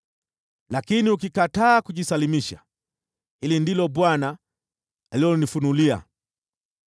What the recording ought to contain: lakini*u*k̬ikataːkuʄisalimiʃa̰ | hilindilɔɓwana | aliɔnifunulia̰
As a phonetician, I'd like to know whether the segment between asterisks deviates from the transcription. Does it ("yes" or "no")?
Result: no